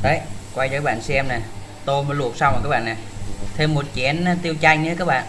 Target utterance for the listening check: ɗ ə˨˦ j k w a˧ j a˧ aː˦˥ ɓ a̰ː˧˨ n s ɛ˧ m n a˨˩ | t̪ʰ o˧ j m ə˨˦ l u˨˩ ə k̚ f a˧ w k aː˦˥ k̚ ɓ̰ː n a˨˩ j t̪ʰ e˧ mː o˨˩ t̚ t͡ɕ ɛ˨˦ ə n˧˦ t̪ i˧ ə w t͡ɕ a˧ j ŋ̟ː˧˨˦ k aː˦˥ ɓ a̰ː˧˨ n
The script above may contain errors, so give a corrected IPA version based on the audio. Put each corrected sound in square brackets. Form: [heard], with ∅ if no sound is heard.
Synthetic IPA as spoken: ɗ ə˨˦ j k w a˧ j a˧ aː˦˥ ɓ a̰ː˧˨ n s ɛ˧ m n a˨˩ | [t̪] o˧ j m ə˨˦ l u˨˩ ə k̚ [s] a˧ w k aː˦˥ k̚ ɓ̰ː n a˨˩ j t̪ʰ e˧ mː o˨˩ t̚ t͡ɕ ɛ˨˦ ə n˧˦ t̪ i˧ ə w t͡ɕ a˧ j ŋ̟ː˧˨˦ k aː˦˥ ɓ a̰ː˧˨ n